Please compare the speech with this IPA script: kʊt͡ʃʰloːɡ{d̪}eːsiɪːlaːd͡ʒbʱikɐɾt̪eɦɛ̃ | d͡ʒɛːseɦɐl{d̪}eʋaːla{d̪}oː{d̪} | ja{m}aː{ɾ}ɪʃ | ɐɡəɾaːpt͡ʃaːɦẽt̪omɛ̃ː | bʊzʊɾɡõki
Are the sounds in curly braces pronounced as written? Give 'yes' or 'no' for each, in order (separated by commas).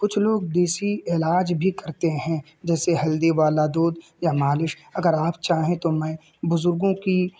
yes, yes, yes, yes, yes, no